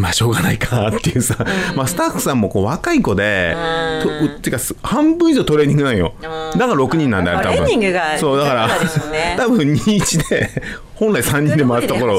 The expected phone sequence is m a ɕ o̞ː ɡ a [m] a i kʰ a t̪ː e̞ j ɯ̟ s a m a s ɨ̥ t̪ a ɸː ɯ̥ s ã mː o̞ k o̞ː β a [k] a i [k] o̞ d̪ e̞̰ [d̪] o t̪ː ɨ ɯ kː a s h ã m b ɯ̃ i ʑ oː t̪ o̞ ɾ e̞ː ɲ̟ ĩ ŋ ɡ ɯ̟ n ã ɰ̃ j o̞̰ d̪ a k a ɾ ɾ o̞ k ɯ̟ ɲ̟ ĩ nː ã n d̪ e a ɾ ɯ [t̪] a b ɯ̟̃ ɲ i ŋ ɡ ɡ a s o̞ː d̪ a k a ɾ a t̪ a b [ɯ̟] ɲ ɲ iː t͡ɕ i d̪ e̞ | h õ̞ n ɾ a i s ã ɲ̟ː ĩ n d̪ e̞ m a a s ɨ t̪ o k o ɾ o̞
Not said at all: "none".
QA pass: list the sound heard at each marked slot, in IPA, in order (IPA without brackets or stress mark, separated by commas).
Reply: n, k, k, t̪, t̪, ɯ̟̃